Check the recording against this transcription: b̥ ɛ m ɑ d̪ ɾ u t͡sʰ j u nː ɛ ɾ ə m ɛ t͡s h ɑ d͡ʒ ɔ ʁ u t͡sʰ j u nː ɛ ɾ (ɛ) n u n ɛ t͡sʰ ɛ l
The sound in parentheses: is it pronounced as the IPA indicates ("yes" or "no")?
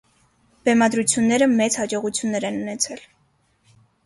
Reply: yes